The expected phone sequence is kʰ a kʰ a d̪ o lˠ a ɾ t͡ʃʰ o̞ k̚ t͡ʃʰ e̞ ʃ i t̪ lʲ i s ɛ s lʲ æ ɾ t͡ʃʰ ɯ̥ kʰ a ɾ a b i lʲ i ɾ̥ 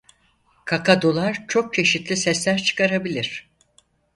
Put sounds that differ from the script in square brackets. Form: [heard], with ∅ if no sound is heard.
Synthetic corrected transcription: kʰ a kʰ a d̪ o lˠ a ɾ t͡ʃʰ o̞ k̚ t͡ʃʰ e̞ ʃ i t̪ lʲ i s ɛ s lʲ æ ɾ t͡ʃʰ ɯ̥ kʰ a ɾ a b i lʲ i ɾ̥